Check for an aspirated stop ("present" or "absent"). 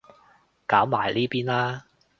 absent